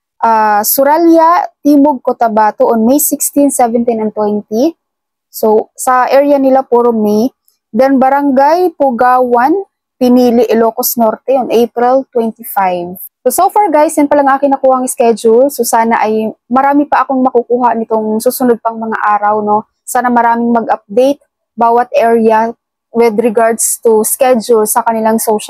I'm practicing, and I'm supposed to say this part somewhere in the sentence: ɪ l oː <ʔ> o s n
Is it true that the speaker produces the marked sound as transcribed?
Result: no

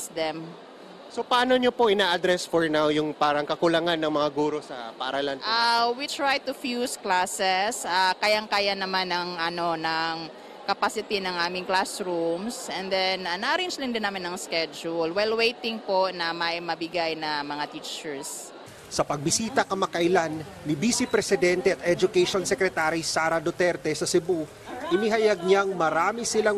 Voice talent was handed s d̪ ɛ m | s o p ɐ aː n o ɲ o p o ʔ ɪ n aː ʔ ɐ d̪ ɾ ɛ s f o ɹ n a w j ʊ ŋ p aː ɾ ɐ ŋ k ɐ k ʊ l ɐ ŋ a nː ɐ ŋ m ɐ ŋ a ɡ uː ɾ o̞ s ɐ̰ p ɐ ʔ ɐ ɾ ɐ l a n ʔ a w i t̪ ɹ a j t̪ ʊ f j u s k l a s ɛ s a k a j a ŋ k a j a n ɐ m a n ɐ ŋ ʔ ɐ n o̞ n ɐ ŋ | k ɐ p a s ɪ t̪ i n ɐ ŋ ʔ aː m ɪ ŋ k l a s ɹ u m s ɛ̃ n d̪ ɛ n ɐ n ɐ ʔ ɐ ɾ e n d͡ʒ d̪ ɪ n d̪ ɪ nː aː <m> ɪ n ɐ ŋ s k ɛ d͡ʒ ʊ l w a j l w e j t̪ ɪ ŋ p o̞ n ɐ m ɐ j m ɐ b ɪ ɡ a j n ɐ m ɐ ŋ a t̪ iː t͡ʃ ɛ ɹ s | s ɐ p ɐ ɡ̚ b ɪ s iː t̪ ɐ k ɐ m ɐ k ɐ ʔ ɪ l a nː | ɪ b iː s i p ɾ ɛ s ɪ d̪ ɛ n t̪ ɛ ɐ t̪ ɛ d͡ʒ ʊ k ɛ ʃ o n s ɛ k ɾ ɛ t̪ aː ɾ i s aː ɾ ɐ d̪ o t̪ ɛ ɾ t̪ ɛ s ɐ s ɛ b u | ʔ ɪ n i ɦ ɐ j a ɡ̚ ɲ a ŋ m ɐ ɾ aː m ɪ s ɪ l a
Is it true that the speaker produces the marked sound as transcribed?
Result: yes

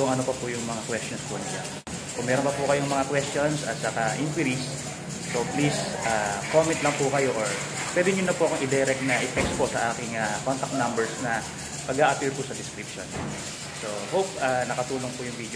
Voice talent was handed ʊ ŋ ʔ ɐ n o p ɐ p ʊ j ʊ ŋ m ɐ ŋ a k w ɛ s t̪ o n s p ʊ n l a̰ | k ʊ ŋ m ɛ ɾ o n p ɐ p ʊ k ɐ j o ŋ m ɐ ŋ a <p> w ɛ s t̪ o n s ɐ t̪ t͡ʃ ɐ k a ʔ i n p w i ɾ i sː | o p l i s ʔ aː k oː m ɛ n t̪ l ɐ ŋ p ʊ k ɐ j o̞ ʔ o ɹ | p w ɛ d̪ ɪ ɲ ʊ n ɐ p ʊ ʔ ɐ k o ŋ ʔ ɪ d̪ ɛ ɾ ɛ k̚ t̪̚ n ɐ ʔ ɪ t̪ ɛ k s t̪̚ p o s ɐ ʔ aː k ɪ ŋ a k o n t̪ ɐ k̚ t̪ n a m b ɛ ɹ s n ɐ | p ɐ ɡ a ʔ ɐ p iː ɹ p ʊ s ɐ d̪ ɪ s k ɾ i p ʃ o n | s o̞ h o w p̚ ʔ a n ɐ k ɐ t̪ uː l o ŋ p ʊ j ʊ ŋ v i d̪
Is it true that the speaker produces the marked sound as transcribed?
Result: no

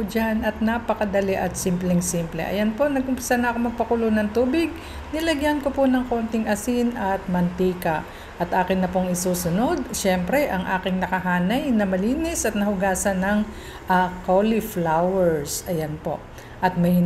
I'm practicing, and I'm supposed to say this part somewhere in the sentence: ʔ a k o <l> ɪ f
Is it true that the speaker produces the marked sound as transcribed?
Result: yes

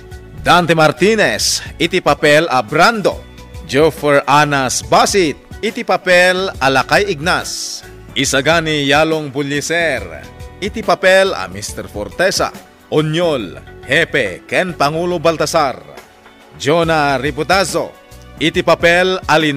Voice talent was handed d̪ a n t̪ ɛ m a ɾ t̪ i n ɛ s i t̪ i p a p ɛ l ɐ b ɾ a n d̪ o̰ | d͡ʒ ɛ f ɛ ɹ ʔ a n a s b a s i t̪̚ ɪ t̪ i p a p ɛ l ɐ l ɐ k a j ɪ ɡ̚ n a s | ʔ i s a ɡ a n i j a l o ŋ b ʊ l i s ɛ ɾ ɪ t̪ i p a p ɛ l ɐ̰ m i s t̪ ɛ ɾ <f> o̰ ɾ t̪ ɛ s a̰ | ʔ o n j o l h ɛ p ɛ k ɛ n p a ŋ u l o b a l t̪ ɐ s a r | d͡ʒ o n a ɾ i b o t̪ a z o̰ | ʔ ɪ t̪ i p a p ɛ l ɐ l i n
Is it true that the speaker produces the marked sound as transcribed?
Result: yes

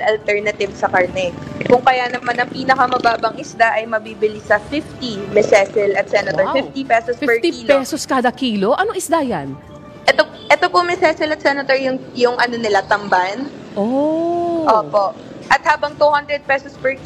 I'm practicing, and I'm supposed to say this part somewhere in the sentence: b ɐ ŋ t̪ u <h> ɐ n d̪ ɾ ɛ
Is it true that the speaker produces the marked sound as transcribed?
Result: yes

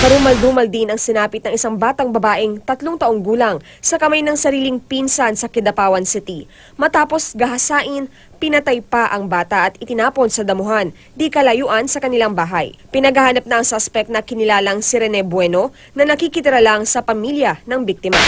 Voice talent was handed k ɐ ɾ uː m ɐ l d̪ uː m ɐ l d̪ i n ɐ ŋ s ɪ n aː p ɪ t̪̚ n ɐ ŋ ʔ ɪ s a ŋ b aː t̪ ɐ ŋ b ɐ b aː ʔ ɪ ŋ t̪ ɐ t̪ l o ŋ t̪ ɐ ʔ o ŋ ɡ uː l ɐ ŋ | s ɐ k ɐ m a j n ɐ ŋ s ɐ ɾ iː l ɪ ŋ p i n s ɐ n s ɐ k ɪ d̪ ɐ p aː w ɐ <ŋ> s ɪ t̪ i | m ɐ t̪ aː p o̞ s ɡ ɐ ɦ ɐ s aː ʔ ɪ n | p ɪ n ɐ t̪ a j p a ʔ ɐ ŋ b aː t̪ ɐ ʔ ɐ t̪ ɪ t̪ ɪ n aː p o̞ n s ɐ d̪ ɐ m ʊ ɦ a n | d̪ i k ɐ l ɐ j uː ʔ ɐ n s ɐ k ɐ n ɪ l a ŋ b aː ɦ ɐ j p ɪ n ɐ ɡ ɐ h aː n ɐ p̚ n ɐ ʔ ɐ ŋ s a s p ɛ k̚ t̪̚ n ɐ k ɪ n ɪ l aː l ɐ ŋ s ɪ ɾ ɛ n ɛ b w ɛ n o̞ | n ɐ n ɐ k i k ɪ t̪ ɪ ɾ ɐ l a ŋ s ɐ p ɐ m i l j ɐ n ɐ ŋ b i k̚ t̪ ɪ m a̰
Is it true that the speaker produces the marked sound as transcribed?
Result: no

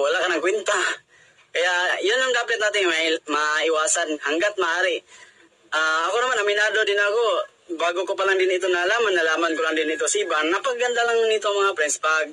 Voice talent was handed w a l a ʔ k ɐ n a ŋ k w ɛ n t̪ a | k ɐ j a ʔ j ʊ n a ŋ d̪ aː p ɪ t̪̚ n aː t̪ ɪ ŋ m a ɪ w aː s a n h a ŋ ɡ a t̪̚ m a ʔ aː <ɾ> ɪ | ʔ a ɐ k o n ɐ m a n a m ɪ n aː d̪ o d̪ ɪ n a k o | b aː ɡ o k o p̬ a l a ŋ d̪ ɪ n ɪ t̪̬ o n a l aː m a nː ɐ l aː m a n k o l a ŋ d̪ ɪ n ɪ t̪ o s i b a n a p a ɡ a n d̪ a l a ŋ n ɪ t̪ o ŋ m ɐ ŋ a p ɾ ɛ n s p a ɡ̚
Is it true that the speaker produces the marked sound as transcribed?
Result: yes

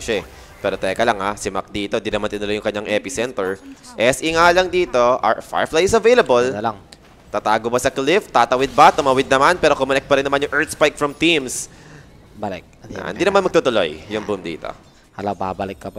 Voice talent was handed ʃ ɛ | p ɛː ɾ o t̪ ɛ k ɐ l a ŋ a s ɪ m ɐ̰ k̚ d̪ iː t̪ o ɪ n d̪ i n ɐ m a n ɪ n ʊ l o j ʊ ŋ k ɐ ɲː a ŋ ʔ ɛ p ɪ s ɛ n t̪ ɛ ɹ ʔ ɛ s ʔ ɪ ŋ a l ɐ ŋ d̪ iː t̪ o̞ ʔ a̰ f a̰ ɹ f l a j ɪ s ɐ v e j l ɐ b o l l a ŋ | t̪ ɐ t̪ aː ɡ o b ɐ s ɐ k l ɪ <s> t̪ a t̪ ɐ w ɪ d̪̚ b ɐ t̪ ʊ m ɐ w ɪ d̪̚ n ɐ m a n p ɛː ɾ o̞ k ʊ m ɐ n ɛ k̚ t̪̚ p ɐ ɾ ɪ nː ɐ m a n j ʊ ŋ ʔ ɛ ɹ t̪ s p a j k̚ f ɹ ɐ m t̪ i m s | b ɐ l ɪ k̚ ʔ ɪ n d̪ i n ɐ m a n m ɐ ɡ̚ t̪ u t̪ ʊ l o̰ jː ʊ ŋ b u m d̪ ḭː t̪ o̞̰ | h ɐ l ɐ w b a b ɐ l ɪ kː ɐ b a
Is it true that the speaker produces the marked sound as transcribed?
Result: no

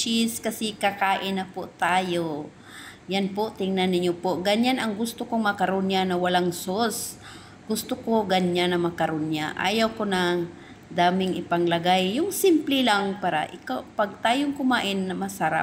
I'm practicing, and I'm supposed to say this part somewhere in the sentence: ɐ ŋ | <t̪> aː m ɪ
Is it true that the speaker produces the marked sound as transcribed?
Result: no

